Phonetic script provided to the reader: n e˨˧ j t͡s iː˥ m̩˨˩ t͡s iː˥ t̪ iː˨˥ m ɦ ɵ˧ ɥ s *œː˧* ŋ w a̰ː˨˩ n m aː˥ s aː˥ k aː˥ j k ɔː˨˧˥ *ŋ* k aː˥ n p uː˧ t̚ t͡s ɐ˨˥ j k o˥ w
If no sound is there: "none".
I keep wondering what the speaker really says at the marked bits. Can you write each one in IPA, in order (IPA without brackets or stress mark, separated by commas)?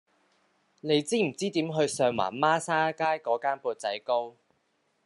œː˧, none